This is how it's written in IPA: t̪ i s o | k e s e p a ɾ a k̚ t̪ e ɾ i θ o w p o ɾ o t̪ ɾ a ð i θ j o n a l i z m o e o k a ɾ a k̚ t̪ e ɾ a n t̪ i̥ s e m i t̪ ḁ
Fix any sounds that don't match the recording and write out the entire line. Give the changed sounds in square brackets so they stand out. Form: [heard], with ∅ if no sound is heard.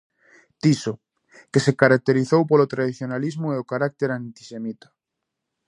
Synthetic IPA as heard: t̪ i s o | k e s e [k] a ɾ a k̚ t̪ e ɾ i θ o w p o [l] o t̪ ɾ a ð i θ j o n a l i z m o e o k a ɾ a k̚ t̪ e ɾ a n t̪ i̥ s e m i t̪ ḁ